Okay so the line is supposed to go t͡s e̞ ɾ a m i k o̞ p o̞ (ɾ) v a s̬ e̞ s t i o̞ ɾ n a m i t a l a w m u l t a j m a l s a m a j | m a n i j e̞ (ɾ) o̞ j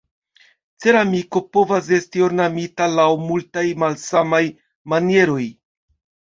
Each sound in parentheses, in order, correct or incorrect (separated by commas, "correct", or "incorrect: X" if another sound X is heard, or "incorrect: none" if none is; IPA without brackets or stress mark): incorrect: none, correct